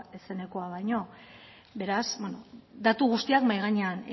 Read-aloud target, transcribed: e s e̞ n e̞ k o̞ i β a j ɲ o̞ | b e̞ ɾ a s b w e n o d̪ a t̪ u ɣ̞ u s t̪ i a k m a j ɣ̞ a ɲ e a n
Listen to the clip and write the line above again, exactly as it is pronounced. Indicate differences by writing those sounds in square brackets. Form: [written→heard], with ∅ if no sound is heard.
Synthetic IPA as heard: e s e̞ n e̞ k o̞ [i→a] β a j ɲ o̞ | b e̞ ɾ a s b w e n o d̪ a t̪ u ɣ̞ u s t̪ i a k m a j ɣ̞ a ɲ e a n